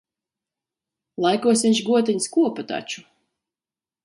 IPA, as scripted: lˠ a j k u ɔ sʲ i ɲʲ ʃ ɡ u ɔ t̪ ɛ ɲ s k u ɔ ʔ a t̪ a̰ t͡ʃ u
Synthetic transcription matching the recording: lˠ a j k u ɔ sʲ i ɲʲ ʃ ɡ u ɔ t̪ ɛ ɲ s k u ɔ p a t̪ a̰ t͡ʃ u

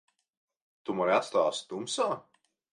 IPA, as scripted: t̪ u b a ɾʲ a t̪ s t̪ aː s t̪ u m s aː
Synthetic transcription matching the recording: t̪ u m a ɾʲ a t̪ s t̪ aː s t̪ u m s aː

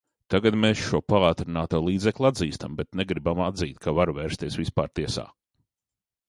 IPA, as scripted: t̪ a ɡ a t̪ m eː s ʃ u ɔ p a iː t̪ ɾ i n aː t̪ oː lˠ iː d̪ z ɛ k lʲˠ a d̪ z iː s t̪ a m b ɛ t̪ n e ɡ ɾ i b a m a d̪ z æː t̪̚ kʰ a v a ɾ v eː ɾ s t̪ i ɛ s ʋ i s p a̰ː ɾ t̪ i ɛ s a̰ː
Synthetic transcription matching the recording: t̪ a ɡ a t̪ m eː s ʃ u ɔ p a aː t̪ ɾ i n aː t̪ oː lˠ iː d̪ z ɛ k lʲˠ a d̪ z iː s t̪ a m b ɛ t̪ n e ɡ ɾ i b a m a d̪ z iː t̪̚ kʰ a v a ɾ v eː ɾ s t̪ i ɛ s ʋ i s p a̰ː ɾ t̪ i ɛ s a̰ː

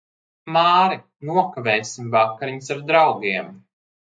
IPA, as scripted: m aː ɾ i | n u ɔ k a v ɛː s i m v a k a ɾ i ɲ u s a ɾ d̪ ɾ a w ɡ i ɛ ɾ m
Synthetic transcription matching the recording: m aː ɾ i | n u ɔ k a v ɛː s i m v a k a ɾ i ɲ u s a ɾ d̪ ɾ a w ɡ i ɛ m

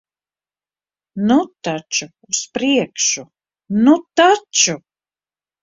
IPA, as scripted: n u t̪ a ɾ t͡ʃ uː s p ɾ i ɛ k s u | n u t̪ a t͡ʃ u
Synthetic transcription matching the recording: n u t̪ a t͡ʃ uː s p ɾ i ɛ k ʃ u | n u t̪ a t͡ʃ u

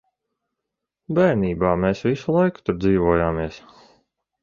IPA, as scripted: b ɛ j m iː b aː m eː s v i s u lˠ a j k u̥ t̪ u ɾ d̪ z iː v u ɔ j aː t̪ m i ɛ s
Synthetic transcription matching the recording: b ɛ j n iː b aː m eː s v i s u lˠ a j k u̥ t̪ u ɾ d̪ z iː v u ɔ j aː m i ɛ s

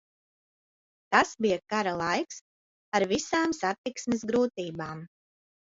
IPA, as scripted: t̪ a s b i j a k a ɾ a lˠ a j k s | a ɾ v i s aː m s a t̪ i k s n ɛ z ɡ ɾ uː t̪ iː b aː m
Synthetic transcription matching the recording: t̪ a s b i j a k a ɾ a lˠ a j k s | a ɾ v i s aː m s a t̪ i k s m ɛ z ɡ ɾ uː t̪ iː b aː m

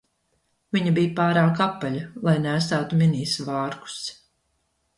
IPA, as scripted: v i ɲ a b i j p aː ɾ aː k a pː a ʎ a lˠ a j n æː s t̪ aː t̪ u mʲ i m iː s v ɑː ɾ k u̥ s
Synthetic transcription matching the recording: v i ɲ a b i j p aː ɾ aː k a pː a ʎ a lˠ a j n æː s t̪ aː t̪ u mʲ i n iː s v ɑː ɾ k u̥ s

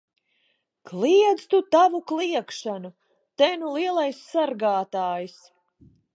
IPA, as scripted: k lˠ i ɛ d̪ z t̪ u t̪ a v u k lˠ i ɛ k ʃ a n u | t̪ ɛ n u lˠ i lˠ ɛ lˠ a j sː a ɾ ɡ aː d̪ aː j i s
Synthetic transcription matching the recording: k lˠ i ɛ d̪ z t̪ u t̪ a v u k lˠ i ɛ k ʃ a n u | t̪ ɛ n u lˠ i ɛ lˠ a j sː a ɾ ɡ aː t̪ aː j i s

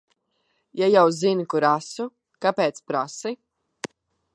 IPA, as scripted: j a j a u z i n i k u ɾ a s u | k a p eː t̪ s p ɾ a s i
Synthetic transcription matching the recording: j a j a w z i n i k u ɾ a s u | k a p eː t̪ s p ɾ a s i

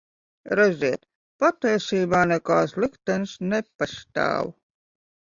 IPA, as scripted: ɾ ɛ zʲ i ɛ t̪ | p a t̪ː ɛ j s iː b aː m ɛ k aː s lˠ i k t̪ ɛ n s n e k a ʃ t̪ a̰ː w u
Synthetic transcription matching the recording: ɾ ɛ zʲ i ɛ t̪ | p a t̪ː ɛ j s iː b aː n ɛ k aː s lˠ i k t̪ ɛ n s n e p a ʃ t̪ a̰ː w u

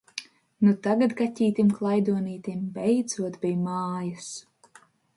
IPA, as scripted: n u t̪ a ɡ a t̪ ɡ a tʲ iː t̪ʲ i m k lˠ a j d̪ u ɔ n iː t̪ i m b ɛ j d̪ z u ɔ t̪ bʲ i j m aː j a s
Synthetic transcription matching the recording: n u t̪ a ɡ a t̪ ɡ a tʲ iː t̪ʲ i m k lˠ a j d̪ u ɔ n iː t̪ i m b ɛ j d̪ z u ɔ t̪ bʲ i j m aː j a s

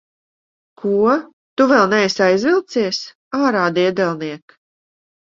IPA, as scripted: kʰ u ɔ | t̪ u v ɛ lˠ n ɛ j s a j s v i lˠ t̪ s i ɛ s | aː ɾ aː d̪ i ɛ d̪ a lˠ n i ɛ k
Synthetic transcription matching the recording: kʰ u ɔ | t̪ u v ɛ lˠ n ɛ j s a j z v i lˠ t̪ s i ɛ s | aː ɾ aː d̪ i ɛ d̪ ɛ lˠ n i ɛ k

